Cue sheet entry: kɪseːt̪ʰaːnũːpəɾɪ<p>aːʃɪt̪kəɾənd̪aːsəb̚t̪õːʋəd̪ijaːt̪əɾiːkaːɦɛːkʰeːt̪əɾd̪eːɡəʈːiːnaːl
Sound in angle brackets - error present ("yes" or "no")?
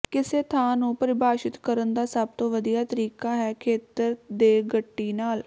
yes